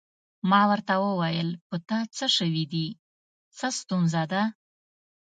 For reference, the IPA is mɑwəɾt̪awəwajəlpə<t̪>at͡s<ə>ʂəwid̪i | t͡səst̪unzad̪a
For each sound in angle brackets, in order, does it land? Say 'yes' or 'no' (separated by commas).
yes, yes